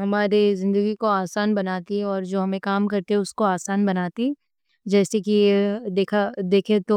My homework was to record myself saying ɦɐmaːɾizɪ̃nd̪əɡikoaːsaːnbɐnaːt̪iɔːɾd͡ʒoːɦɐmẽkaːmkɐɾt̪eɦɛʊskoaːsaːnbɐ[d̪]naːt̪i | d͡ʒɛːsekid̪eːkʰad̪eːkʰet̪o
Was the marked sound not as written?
yes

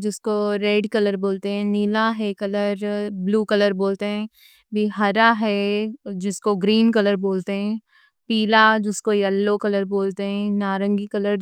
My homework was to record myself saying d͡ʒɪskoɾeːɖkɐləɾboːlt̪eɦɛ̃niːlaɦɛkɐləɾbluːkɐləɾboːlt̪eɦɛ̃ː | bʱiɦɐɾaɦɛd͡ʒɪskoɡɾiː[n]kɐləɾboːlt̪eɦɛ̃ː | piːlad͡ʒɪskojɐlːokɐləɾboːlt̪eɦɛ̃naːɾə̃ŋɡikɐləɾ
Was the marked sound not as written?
no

